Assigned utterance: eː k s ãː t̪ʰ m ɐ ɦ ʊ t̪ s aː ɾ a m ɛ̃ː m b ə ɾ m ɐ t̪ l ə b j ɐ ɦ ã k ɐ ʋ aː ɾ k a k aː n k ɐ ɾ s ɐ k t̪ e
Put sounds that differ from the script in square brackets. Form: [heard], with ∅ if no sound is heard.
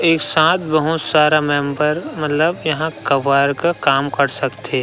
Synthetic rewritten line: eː k s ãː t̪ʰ [b] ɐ ɦ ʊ t̪ s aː ɾ a m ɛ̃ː m b ə ɾ m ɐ t̪ l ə b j ɐ ɦ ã k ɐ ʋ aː ɾ k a k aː [m] k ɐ ɾ s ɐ k t̪ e